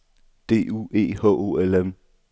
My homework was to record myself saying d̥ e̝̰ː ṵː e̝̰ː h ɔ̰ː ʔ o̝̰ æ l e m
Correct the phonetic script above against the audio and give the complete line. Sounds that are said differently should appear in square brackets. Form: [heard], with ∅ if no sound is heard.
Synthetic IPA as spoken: d̥ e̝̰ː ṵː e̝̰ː h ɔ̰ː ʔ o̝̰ [e] l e m